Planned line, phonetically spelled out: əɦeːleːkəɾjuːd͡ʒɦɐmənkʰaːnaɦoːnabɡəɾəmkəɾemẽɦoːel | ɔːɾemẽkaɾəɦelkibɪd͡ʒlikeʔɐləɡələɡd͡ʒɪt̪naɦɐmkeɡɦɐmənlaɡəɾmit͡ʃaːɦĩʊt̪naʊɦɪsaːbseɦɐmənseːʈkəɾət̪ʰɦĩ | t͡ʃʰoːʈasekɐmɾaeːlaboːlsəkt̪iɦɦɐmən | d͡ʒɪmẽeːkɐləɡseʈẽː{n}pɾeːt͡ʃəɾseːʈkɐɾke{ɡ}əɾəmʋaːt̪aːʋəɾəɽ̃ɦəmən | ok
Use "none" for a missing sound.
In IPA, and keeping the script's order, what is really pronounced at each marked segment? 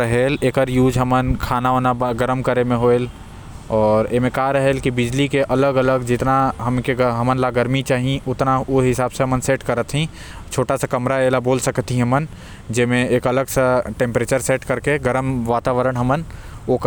m, ɡ

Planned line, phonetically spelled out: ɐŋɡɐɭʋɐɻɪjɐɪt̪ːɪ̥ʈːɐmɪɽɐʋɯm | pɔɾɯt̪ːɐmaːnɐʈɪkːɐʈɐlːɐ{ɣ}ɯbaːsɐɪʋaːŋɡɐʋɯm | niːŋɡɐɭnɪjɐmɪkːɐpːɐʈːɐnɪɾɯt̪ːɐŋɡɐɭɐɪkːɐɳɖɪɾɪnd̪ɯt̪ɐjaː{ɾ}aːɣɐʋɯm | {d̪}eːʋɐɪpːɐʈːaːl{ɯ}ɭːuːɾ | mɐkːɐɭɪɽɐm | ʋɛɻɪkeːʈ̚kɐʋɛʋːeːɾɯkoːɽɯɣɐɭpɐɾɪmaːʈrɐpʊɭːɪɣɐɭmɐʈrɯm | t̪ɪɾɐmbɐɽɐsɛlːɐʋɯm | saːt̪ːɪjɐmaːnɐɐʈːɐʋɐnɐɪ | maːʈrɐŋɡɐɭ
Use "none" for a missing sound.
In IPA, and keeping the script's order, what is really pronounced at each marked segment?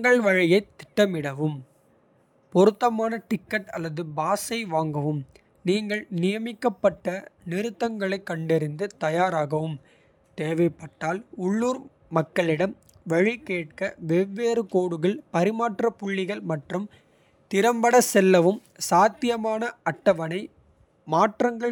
ð, ɾ, t̪, ʊ

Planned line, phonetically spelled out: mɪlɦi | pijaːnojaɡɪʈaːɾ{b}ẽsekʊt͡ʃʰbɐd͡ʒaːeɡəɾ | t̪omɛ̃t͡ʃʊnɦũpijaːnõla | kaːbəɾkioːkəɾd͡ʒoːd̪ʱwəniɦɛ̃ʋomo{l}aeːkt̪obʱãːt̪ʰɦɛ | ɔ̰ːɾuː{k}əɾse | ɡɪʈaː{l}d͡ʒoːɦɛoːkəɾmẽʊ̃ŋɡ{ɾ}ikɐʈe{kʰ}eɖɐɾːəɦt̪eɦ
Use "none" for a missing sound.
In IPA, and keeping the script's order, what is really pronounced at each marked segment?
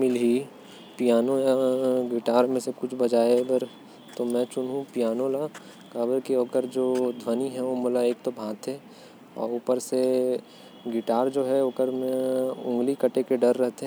m, l, p, ɾ, l, k

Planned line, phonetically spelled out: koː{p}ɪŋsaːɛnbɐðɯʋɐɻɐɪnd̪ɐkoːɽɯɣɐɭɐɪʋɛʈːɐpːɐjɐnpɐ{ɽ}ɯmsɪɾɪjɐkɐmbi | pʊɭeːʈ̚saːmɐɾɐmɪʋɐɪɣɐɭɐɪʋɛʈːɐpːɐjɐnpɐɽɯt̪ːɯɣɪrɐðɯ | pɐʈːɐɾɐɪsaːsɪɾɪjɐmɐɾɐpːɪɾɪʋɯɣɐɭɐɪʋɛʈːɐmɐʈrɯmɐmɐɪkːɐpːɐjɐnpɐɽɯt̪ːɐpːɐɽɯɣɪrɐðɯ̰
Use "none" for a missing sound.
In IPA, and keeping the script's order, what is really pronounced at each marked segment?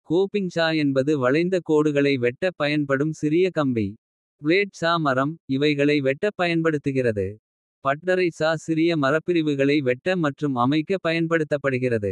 p, ɽ

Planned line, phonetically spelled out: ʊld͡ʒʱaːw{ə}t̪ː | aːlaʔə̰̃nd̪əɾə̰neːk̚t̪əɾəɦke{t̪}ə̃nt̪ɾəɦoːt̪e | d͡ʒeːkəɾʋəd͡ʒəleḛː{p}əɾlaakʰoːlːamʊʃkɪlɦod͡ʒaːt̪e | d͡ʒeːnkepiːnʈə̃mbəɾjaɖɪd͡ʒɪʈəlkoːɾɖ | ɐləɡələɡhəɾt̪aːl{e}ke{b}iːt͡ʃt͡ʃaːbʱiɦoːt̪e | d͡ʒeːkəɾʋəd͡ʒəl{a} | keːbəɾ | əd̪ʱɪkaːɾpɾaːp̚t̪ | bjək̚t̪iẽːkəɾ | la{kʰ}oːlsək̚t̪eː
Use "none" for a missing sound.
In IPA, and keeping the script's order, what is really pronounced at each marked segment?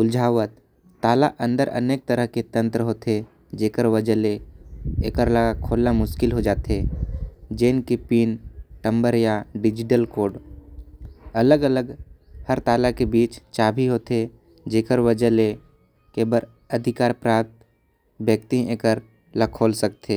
ə, t̪, k, a, b, e, kʰ

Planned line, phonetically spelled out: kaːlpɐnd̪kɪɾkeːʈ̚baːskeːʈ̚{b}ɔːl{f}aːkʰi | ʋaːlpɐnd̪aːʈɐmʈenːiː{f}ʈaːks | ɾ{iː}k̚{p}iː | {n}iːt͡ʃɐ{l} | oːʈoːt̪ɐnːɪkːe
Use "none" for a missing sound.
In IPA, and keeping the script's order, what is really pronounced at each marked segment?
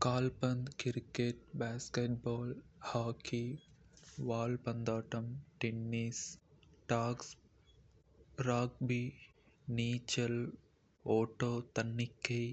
b, h, s, aː, b, n, l

